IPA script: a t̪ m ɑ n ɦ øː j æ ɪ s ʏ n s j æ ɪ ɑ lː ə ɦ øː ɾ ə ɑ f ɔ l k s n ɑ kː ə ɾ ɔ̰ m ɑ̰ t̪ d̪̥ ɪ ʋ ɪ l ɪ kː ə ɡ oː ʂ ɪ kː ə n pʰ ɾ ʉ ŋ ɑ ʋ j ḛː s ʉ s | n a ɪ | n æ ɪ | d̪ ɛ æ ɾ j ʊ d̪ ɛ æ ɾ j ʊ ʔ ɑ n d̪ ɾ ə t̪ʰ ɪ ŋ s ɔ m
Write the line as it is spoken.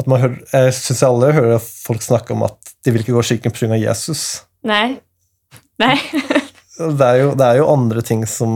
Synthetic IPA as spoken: ɑ t̪ m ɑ n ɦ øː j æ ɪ s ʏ n s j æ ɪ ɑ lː ə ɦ øː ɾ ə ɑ f ɔ l k s n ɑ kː ə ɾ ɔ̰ m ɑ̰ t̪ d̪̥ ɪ ʋ ɪ l ɪ kː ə ɡ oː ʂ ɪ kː ə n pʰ ɾ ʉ ŋ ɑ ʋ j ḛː s ʉ s | n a ɪ | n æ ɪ | d̪ ɛ æ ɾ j ʊ d̪ ɛ æ ɾ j ʊ ʔ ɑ n d̪ ɾ ə t̪ʰ ɪ ŋ s ɔ m